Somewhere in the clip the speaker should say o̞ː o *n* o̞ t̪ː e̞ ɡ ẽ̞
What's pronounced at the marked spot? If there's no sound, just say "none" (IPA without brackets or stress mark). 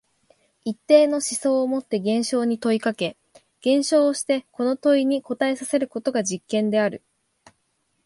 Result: m